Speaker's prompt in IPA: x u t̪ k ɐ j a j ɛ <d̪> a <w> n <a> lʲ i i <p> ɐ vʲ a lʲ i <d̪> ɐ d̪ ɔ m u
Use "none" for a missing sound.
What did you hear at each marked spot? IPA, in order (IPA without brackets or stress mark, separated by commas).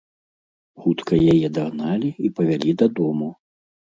d̪, ɣ, a, p, d̪